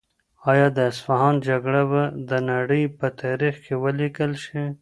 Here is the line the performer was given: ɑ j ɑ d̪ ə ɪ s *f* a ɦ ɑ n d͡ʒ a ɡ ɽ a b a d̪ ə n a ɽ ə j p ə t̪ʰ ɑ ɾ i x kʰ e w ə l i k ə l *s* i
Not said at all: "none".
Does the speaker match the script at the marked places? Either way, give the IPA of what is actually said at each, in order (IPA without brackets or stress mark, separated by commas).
f, ʃ